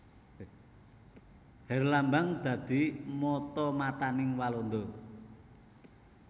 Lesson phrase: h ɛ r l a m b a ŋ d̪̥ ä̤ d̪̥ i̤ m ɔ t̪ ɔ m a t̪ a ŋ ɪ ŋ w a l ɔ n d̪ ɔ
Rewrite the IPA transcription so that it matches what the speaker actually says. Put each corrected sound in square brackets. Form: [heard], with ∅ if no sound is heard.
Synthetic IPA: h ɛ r l a m b a ŋ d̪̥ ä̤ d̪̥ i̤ m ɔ t̪ ɔ m a t̪ a [n] ɪ ŋ w a l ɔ n d̪ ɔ